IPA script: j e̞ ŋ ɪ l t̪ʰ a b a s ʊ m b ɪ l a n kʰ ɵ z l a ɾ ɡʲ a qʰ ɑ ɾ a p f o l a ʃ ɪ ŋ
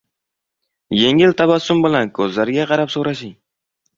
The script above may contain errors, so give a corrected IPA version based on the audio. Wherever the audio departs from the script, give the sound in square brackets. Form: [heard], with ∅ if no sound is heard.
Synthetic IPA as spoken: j e̞ ŋ ɪ l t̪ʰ a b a s ʊ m b ɪ l a n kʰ ɵ z l a ɾ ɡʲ a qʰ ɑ ɾ a p [s] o [ɾ] a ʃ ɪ ŋ